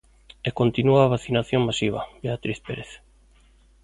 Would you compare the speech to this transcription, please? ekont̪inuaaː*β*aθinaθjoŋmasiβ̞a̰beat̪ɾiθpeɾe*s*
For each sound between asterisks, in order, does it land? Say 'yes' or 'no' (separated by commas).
yes, no